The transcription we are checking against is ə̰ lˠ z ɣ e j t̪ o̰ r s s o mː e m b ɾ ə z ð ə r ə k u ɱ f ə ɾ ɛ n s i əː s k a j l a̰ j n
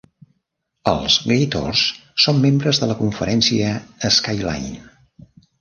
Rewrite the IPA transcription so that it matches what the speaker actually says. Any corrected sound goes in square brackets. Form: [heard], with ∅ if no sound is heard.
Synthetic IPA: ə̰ lˠ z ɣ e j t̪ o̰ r s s o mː e m b ɾ ə z ð ə [l] ə k u ɱ f ə ɾ ɛ n s i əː s k a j l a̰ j n